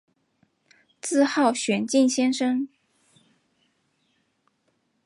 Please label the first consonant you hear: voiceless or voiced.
voiceless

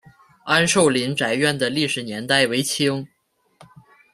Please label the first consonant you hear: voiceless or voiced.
voiced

